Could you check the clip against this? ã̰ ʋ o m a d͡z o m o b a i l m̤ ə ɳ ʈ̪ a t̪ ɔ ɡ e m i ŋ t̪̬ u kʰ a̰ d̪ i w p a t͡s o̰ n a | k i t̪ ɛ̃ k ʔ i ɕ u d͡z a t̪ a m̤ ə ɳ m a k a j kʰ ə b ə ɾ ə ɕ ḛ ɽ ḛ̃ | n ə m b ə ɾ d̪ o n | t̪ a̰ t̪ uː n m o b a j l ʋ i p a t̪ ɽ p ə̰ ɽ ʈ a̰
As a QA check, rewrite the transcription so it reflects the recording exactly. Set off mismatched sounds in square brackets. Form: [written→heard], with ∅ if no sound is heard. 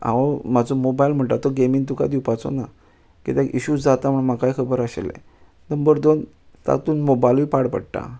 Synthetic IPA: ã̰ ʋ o m a d͡z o m o b a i l m̤ ə ɳ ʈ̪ a t̪ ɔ ɡ e m i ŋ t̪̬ u [kʰ→k] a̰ d̪ i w p a t͡s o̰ n a | k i t̪ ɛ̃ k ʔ i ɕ u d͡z a t̪ a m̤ ə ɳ m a k a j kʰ ə b ə ɾ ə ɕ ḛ [ɽ→l] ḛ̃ | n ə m b ə ɾ d̪ o n | t̪ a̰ t̪ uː n m o b a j l ʋ i p a [t̪→∅] ɽ p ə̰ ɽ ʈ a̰